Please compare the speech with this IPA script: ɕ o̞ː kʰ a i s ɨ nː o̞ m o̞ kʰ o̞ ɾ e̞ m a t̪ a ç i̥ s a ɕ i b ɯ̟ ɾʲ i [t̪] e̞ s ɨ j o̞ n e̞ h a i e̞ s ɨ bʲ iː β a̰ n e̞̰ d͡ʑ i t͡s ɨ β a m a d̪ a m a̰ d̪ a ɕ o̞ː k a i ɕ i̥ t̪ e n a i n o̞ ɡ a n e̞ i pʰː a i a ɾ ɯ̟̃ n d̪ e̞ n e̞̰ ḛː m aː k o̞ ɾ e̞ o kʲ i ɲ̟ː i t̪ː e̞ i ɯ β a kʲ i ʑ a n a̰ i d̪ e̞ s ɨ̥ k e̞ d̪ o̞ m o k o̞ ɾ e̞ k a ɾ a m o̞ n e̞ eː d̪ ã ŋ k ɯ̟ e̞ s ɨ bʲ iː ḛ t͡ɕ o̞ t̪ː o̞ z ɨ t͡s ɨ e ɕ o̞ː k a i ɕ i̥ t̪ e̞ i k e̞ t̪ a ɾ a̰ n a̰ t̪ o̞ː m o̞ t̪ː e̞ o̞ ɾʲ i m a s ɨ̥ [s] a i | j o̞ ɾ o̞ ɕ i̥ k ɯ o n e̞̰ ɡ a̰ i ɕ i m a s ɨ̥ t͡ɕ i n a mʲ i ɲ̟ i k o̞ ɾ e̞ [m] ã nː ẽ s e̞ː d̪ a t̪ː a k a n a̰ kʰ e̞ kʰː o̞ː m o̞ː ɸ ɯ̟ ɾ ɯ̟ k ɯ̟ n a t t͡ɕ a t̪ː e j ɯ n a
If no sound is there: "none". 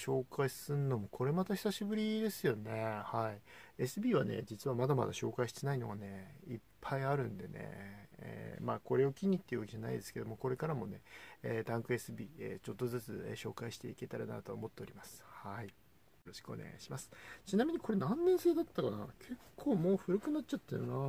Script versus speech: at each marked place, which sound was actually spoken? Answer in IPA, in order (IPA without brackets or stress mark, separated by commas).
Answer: d̪, h, n